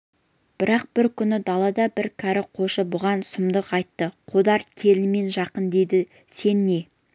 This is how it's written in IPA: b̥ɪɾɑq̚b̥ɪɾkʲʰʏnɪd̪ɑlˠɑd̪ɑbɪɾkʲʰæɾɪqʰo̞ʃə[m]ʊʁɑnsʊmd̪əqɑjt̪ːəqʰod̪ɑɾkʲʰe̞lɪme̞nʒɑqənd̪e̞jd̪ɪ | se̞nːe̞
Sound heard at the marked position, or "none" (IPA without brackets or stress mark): b